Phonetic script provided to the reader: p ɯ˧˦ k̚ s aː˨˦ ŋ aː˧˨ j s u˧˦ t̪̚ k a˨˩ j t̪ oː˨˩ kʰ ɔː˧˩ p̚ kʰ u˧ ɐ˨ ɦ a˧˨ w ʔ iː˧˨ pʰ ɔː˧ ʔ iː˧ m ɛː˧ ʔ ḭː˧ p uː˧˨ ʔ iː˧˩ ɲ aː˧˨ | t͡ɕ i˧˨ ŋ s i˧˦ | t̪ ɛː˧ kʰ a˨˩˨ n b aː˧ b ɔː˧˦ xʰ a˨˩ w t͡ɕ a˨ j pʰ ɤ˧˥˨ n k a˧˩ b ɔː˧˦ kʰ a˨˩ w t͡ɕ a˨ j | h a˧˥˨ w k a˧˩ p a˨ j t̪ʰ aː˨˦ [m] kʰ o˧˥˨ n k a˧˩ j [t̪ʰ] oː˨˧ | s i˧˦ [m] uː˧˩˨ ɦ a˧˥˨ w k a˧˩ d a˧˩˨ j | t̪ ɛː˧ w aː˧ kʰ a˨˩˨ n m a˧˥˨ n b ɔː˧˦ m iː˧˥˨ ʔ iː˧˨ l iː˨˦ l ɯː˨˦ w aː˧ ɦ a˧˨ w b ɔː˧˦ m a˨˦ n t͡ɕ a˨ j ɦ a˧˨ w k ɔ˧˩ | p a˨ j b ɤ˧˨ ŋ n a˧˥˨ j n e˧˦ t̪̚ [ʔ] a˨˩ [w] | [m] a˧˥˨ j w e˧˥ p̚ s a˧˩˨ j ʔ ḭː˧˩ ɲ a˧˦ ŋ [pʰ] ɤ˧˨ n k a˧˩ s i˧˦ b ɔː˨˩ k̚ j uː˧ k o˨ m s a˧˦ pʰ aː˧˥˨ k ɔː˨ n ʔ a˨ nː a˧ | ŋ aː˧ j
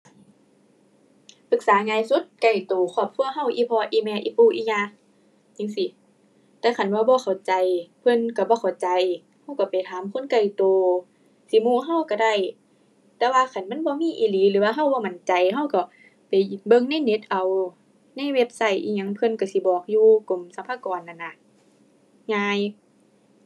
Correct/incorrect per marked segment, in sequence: correct, incorrect: t̪, correct, correct, correct, incorrect: n, correct

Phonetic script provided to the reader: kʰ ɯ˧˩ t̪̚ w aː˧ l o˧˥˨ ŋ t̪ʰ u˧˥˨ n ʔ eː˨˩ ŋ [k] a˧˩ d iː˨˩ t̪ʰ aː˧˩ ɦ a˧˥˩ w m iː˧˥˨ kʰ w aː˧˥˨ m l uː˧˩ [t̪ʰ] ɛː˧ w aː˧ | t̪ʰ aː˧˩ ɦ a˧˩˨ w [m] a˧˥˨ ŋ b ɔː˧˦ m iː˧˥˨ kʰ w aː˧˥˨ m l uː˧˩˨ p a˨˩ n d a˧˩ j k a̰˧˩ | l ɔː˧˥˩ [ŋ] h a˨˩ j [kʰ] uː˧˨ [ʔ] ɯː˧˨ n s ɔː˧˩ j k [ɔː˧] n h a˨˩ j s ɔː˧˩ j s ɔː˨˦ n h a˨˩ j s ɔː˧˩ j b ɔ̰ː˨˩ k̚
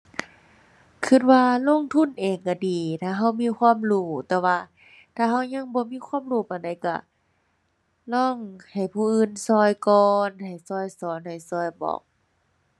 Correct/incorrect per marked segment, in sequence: correct, incorrect: t̪, incorrect: ɲ, correct, incorrect: pʰ, correct, correct

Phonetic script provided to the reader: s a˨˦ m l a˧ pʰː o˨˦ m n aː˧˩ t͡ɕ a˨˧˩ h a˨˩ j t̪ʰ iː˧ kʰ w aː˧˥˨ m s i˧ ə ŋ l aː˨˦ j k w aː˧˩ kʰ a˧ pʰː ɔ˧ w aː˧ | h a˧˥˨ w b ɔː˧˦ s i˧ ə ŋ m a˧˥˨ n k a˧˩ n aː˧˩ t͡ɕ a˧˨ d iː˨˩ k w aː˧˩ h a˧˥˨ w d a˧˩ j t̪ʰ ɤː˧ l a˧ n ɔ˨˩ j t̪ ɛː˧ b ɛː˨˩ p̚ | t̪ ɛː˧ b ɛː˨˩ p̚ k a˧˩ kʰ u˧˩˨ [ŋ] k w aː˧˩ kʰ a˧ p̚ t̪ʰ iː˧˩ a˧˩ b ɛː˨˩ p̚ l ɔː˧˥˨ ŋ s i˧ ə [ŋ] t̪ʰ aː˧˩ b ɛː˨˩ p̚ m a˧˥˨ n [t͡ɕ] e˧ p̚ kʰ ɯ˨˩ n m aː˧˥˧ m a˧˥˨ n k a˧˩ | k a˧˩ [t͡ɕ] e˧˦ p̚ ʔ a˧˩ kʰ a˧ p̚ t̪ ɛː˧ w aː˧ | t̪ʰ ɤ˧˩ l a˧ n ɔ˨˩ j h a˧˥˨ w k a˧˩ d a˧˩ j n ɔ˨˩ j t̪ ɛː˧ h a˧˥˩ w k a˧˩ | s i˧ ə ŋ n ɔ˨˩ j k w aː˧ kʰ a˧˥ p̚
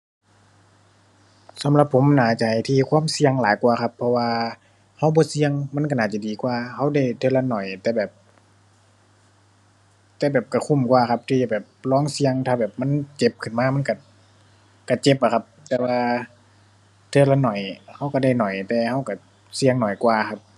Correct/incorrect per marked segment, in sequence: incorrect: m, correct, correct, correct

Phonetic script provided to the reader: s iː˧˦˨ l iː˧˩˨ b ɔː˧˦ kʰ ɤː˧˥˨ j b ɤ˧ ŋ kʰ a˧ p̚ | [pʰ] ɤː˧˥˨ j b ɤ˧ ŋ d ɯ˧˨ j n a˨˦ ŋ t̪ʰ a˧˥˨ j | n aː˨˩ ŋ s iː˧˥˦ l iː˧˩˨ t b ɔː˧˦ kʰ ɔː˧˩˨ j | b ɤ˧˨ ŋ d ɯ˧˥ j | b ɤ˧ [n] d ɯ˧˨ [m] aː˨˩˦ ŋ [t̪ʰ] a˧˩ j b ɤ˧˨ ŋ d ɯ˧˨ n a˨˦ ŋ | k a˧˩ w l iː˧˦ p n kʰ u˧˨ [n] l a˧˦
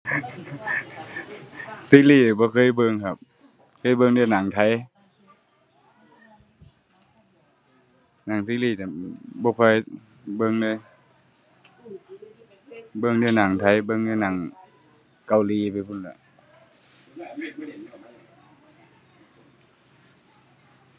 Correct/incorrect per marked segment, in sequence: incorrect: kʰ, incorrect: ŋ, incorrect: n, correct, correct

